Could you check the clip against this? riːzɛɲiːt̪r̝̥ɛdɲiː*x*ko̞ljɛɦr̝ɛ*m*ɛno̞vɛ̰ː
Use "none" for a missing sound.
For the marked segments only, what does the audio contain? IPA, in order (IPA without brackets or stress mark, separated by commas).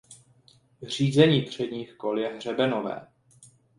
x, b